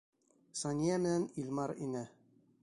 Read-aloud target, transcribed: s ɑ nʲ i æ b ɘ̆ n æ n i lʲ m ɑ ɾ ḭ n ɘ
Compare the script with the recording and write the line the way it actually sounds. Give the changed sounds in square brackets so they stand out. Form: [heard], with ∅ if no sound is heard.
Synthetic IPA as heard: s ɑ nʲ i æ [m] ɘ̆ n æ n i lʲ m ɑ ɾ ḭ n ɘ